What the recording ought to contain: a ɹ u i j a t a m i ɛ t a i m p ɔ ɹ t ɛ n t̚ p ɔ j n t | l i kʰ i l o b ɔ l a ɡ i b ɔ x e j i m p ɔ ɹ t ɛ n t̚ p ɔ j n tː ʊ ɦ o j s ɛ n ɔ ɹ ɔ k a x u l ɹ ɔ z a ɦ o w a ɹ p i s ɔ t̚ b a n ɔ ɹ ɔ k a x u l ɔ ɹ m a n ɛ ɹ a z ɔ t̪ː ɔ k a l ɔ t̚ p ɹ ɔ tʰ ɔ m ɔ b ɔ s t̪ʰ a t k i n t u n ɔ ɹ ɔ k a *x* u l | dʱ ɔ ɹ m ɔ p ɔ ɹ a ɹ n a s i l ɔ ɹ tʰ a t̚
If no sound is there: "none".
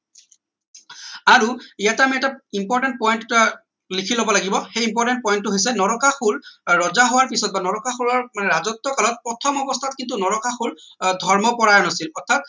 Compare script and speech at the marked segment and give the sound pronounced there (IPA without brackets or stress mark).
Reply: x